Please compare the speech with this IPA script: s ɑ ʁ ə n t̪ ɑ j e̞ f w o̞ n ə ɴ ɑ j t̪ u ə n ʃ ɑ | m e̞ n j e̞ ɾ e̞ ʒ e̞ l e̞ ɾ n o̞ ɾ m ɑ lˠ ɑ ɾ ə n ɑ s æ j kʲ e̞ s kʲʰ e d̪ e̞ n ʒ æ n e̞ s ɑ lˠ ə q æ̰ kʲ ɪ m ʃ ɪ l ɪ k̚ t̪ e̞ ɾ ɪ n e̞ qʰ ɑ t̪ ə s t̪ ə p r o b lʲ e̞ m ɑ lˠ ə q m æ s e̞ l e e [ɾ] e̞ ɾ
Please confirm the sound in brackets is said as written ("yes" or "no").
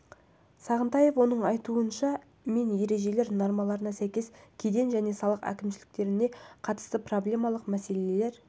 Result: no